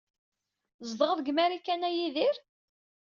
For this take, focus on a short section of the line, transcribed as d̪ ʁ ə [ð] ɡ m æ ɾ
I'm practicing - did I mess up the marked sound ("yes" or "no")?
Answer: no